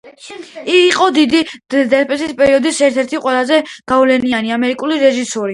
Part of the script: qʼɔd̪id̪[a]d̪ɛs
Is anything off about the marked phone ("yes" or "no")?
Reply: yes